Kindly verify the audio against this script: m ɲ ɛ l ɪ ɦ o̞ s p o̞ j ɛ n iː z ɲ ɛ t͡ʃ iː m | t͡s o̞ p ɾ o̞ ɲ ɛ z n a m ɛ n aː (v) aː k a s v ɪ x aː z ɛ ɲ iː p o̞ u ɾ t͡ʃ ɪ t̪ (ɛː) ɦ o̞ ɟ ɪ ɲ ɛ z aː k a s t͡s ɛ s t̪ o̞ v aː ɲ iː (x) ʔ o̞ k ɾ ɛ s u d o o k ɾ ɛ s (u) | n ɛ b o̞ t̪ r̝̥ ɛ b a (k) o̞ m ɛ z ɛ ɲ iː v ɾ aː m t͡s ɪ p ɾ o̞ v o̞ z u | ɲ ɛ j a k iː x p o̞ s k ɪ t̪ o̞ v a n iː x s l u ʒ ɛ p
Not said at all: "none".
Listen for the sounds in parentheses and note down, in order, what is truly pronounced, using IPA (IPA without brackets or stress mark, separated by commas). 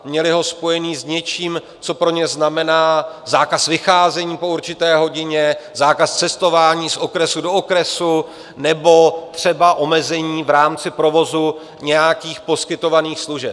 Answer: z, ɛː, s, u, ʔ